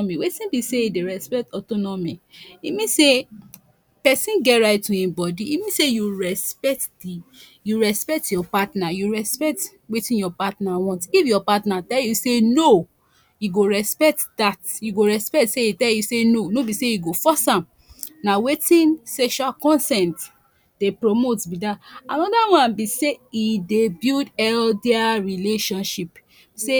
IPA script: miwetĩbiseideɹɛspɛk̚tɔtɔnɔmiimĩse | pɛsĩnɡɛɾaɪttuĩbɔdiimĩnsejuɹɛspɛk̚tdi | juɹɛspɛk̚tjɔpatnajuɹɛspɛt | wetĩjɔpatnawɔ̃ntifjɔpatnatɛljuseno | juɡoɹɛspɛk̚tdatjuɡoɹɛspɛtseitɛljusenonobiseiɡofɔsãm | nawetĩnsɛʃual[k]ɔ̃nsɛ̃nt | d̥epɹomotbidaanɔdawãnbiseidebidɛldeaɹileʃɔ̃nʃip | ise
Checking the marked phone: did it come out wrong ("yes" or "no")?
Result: no